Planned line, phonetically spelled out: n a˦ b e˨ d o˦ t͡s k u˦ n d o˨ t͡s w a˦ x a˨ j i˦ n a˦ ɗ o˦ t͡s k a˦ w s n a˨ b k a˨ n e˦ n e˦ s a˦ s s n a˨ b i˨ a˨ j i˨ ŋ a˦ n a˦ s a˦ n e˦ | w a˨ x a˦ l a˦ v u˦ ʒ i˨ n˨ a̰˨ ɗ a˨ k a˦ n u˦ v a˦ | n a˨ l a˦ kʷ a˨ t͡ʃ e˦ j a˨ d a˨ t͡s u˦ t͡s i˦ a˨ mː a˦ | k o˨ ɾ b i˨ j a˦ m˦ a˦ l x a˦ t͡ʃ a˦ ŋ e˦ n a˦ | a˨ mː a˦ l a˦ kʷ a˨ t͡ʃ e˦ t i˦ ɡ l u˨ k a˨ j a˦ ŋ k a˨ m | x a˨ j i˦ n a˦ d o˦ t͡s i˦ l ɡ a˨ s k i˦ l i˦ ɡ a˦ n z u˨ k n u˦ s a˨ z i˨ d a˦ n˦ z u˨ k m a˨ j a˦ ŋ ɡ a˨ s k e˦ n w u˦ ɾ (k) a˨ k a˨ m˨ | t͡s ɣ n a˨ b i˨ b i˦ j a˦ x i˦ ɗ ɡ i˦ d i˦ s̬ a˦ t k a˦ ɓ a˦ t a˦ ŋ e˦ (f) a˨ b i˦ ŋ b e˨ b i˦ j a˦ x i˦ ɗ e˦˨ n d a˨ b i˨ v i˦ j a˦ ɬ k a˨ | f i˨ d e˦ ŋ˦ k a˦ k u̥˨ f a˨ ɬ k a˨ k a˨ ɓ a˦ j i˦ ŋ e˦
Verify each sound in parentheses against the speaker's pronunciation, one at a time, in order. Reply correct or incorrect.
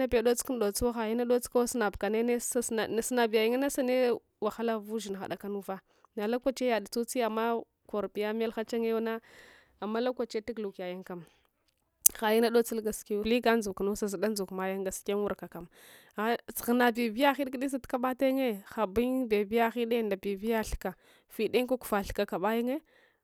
correct, incorrect: x

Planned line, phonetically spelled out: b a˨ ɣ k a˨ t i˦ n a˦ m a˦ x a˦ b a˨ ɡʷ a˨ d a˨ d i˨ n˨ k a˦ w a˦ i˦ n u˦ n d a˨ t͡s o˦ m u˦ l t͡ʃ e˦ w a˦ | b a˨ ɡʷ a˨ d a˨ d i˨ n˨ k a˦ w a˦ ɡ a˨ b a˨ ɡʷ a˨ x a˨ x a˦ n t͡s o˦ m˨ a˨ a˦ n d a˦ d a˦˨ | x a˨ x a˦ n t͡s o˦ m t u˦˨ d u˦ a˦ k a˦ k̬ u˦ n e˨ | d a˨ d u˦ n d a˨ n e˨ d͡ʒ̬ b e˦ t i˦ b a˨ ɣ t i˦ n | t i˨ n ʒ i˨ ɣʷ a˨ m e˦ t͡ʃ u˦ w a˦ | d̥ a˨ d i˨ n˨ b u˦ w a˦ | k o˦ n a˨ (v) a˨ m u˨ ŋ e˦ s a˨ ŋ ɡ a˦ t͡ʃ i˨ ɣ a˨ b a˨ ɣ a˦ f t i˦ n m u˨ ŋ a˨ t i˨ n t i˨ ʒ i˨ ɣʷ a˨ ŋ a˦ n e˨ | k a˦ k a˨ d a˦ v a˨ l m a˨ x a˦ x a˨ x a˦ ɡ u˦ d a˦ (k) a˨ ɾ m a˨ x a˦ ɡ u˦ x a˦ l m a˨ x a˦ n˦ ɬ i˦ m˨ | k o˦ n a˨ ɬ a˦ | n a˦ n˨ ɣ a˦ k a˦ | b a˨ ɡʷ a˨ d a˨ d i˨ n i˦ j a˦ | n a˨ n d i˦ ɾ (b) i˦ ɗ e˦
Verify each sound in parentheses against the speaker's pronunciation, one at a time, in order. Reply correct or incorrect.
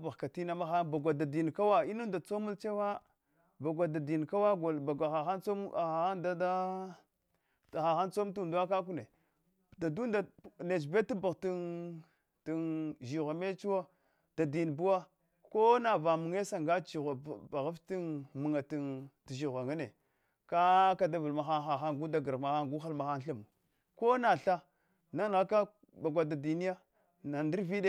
correct, incorrect: ɡ, incorrect: v

